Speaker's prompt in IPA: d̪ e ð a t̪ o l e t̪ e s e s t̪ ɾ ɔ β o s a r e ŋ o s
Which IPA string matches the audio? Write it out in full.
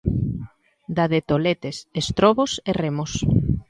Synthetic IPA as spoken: d̪ a ð e t̪ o l e t̪ e s e s t̪ ɾ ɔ β o s e r e m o s